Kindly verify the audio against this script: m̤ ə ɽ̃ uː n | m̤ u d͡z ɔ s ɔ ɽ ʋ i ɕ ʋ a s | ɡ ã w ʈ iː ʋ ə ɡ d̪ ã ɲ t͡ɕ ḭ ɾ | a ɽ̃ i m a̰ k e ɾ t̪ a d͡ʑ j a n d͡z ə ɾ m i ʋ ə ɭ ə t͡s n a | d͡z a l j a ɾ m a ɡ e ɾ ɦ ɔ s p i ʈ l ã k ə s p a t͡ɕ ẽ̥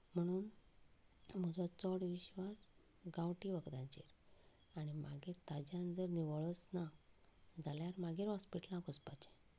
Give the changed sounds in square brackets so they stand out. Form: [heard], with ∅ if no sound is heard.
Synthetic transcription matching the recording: m̤ ə ɽ̃ uː n | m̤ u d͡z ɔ [t͡s] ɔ ɽ ʋ i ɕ ʋ a s | ɡ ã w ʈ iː ʋ ə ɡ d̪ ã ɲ t͡ɕ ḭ ɾ | a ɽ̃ i m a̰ [ɡ] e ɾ t̪ a d͡ʑ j a n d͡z ə ɾ [n] i ʋ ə ɭ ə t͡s n a | d͡z a l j a ɾ m a ɡ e ɾ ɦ ɔ s p i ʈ l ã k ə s p a t͡ɕ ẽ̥